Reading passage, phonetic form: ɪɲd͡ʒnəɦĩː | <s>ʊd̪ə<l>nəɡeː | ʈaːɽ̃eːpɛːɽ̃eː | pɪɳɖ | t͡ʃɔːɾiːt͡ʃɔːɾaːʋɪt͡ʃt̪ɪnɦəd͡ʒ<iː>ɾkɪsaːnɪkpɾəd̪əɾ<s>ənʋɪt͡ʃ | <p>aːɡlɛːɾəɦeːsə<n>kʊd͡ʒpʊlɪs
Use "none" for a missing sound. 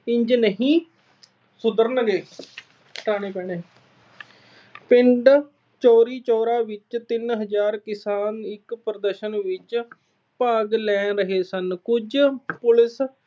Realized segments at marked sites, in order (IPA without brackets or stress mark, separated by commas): s, ɾ, aː, ʃ, p, n